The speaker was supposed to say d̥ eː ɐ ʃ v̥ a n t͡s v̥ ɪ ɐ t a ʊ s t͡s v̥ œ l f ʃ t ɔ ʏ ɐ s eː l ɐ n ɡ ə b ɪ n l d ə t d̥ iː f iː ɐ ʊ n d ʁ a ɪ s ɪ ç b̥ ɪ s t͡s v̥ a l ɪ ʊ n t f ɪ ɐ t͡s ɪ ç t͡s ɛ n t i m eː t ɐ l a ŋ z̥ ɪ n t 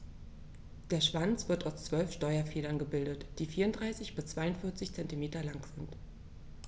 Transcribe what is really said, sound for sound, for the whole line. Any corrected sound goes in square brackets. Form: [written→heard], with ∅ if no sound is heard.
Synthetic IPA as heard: d̥ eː ɐ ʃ v̥ a n t͡s v̥ ɪ ɐ t a ʊ s t͡s v̥ œ l f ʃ t ɔ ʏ ɐ [s→f] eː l ɐ n ɡ ə b ɪ [n→∅] l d ə t d̥ iː f iː ɐ ʊ n d ʁ a ɪ s ɪ ç b̥ ɪ s t͡s v̥ a [l→∅] ɪ ʊ n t f ɪ ɐ t͡s ɪ ç t͡s ɛ n t i m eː t ɐ l a ŋ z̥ ɪ n t